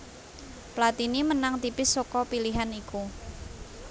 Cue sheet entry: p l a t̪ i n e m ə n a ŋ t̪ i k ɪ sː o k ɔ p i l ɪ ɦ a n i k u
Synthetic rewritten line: p l a t̪ i n i m ə n a ŋ t̪ i p ɪ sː o k ɔ p i l i ɦ a n i k u